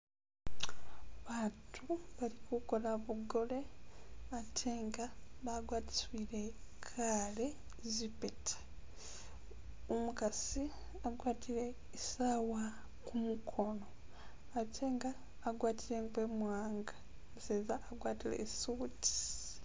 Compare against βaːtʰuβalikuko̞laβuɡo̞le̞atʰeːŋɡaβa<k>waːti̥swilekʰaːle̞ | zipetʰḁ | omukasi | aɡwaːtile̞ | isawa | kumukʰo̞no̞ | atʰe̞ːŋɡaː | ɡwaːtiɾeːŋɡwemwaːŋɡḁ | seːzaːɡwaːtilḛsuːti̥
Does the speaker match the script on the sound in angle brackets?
no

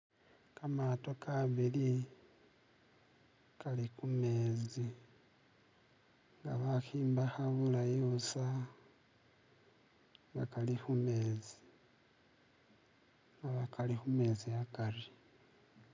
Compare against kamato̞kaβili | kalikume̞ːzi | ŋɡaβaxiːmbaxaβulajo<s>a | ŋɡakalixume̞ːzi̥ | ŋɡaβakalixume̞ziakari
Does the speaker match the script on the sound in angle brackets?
yes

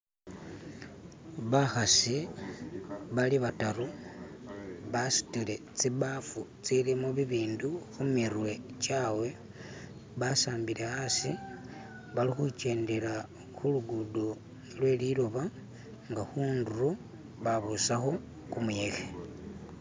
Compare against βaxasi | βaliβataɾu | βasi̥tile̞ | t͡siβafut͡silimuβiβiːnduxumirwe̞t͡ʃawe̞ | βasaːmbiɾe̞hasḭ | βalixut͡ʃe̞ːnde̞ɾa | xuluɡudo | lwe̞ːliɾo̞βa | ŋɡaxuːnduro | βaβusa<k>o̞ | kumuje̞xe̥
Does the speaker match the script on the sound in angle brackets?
no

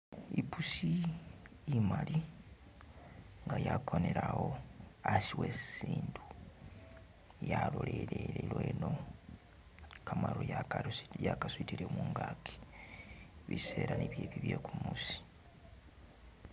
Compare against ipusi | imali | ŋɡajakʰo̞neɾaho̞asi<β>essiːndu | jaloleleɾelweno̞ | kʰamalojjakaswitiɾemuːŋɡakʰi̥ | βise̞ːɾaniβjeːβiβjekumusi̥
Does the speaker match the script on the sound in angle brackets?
no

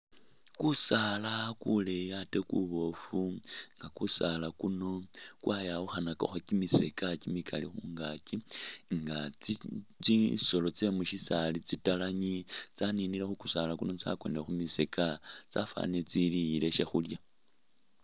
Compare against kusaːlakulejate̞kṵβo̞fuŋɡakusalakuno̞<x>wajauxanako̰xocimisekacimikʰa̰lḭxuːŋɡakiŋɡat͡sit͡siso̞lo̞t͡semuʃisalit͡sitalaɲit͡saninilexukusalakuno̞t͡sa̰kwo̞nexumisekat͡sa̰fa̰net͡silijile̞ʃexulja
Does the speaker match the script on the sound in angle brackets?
no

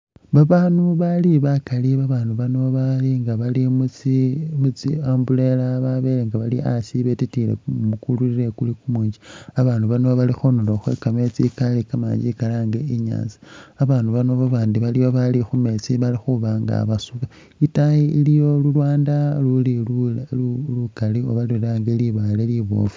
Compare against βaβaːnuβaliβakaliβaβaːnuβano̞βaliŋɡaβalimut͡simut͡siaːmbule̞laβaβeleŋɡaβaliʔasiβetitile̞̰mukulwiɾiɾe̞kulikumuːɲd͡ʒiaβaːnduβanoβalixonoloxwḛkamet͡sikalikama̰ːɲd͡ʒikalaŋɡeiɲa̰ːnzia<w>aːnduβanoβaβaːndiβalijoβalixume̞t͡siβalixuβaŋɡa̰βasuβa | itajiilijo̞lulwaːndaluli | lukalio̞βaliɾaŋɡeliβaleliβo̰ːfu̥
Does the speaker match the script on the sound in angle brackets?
no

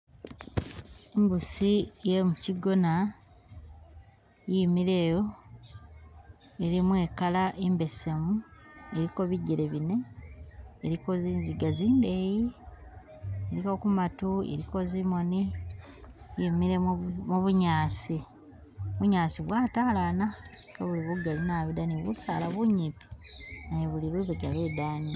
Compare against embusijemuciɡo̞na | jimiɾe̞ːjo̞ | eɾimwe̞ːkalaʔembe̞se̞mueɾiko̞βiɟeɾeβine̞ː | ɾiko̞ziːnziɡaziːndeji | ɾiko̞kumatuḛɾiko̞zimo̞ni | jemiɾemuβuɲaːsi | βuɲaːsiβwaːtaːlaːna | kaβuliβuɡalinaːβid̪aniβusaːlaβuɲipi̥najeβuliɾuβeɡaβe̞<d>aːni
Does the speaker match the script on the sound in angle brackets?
yes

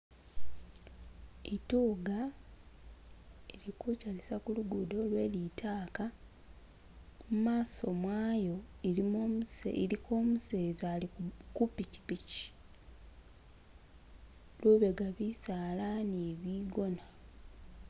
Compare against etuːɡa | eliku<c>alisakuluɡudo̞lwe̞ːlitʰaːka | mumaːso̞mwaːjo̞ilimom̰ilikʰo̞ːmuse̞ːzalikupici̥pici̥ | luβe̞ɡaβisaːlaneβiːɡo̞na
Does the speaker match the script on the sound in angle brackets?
yes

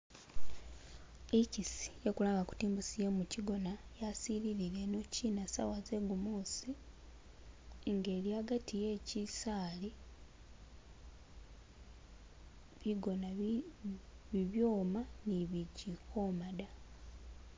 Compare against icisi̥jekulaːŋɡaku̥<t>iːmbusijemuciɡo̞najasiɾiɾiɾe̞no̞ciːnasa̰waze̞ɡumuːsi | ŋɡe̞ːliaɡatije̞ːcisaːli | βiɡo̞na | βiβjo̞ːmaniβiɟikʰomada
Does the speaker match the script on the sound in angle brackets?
yes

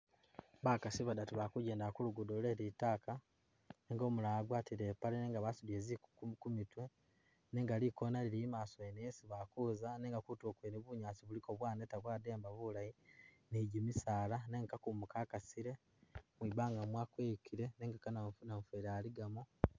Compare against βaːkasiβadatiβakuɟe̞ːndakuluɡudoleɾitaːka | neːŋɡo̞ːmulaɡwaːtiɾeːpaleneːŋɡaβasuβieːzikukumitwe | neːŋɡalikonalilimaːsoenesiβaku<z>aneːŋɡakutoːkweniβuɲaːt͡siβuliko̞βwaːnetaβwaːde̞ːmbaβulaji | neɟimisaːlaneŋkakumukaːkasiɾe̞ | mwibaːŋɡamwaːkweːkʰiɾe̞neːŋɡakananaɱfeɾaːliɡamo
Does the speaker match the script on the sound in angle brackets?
yes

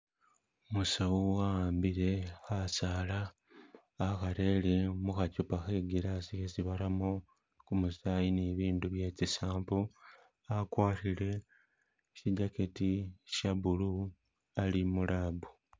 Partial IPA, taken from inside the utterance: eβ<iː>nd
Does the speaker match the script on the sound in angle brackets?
yes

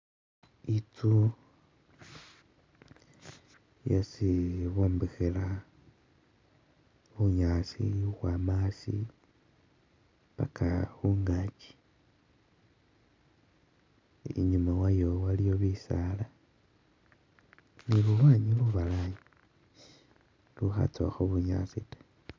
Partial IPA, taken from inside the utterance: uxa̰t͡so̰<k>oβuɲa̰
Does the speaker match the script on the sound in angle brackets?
no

